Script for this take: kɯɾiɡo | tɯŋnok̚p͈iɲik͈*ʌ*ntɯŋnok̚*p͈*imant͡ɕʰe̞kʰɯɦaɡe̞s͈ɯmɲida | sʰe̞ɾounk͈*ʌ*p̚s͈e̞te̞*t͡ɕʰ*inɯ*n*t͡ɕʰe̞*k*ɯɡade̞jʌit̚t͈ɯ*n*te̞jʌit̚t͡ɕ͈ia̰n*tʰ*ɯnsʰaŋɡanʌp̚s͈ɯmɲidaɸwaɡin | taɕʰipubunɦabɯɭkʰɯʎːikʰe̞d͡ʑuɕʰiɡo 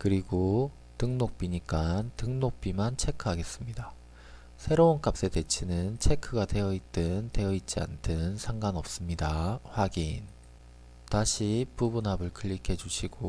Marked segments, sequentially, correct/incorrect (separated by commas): incorrect, correct, incorrect, correct, correct, incorrect, correct, correct